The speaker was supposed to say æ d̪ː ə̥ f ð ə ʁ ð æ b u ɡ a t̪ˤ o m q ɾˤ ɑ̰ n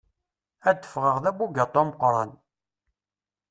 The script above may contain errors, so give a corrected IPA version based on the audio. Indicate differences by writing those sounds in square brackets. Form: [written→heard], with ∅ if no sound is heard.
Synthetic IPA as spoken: æ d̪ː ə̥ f [ð→ʁ] ə ʁ ð æ b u ɡ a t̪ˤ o m q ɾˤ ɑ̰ n